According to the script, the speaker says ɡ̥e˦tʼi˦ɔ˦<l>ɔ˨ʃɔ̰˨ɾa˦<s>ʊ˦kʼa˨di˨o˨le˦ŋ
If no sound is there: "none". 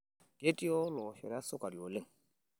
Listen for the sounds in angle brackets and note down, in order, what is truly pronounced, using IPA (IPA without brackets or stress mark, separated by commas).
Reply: l, s